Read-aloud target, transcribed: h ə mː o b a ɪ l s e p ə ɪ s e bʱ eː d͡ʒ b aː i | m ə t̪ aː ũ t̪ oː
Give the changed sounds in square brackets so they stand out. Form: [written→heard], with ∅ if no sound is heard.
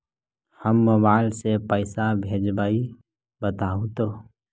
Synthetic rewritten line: h ə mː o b a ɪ l s e p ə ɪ s [e→a] bʱ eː d͡ʒ b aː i | [m→b] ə t̪ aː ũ t̪ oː

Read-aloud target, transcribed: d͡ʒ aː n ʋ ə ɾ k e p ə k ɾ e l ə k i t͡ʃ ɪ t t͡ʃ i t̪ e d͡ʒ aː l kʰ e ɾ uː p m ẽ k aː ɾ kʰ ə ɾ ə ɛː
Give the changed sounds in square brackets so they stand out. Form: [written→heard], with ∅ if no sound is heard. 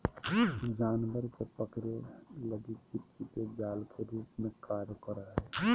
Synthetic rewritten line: d͡ʒ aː n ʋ ə ɾ k e p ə k ɾ e l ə [k→ɡ] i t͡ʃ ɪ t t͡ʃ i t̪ e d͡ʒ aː l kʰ e ɾ uː p m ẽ k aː ɾ [kʰ→k] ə ɾ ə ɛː

